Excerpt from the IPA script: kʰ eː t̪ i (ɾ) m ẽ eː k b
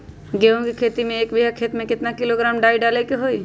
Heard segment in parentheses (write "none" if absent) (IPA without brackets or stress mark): none